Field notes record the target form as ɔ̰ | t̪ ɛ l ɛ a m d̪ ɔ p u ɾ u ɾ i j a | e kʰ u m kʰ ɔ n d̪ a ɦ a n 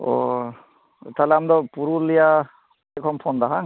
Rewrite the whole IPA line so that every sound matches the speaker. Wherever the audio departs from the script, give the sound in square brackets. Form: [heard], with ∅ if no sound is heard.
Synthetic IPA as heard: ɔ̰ | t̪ [a] l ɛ a m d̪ ɔ p u ɾ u [l] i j a | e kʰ [ɔ] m [pʰ] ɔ n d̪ a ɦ a [ŋ]